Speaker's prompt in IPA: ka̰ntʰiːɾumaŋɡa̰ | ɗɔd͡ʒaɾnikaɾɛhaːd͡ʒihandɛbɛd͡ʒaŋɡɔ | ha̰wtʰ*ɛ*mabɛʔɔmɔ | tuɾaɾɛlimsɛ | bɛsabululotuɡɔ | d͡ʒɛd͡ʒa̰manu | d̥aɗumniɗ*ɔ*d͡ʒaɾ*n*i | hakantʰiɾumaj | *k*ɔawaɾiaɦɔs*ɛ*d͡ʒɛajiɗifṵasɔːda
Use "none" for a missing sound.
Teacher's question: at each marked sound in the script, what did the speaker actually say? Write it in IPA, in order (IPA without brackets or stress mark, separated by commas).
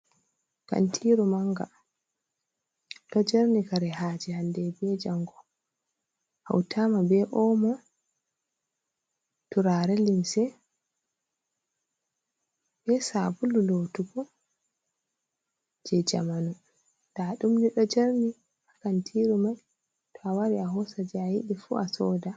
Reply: a, ɔ, n, t, a